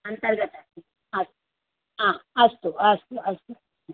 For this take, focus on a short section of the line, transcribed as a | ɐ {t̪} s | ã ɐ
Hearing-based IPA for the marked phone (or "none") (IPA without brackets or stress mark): none